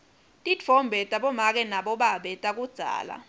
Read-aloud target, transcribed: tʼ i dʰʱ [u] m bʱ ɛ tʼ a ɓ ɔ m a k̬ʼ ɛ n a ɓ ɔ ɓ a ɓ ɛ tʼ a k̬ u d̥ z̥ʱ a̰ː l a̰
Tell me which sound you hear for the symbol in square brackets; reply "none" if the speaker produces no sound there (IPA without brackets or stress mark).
ɔ